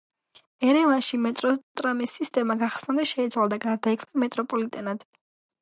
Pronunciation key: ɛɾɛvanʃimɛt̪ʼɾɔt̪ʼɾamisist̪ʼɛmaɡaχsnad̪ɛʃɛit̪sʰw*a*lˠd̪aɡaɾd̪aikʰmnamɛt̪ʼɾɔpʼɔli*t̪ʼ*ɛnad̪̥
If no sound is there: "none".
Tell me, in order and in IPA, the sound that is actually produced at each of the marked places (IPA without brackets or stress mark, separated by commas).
a, t̪ʼ